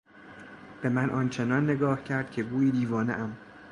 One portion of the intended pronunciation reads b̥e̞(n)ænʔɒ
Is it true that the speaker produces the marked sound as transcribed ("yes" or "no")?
no